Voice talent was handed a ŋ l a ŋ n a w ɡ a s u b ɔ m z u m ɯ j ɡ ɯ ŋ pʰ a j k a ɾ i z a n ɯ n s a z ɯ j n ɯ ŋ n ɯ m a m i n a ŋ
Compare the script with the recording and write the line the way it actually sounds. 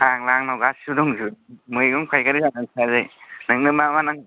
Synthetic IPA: a ŋ l a ŋ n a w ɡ a s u d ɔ ŋ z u m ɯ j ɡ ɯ ŋ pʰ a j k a ɾ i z a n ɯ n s a z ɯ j n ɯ ŋ n ɯ m a m a n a ŋ